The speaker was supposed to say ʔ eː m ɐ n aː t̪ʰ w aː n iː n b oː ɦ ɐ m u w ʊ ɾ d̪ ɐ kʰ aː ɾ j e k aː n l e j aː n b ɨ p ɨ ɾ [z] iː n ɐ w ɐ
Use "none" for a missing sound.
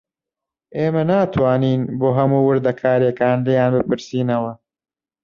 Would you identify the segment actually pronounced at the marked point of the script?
s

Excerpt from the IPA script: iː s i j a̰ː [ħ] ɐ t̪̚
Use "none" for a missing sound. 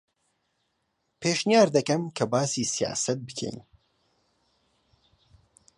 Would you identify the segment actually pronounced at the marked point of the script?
s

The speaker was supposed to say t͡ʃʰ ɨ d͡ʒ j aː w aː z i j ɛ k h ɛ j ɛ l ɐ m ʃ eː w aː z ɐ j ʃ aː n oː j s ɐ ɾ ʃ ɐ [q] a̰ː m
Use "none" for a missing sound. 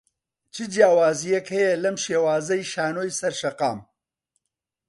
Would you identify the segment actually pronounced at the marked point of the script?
q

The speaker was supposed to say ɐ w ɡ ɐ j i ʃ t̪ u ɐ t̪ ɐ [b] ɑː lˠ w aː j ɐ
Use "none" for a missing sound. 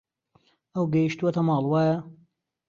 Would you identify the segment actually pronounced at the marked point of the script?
m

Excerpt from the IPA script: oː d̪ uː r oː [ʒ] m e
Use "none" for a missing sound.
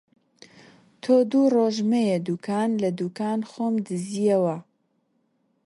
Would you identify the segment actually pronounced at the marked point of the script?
ʒ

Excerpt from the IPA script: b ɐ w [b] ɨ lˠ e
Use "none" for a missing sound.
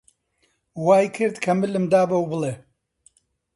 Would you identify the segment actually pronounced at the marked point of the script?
b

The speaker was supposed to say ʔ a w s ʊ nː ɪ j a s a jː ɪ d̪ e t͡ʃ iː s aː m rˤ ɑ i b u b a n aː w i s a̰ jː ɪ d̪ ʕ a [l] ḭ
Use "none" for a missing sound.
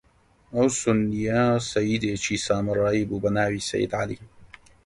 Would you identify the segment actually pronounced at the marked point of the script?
l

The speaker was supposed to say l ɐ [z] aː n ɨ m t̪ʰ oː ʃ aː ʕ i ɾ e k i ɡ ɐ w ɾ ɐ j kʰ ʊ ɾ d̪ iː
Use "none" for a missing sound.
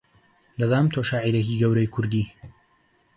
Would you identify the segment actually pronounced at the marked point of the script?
z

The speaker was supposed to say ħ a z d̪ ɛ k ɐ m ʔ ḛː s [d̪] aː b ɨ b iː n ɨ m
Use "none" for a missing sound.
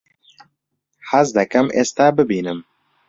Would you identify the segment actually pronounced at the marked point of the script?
t̪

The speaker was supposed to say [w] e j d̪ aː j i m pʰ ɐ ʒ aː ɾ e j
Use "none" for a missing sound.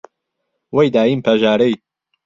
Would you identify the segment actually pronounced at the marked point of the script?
w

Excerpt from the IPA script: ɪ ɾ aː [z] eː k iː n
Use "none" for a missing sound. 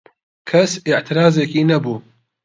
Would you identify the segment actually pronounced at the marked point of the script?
z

